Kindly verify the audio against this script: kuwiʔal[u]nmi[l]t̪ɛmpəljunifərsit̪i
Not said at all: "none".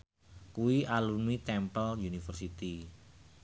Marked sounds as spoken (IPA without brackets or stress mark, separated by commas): u, none